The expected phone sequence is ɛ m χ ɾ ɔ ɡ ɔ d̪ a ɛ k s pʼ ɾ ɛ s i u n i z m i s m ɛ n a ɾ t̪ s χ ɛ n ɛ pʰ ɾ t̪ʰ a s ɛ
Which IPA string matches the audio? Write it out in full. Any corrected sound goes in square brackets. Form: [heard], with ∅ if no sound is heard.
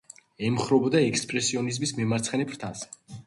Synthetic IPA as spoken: ɛ m χ ɾ ɔ [b] ɔ d̪ a ɛ k s pʼ ɾ ɛ s i [ɔ] n i z m i s m ɛ [m] a ɾ t̪ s χ ɛ n ɛ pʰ ɾ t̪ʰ a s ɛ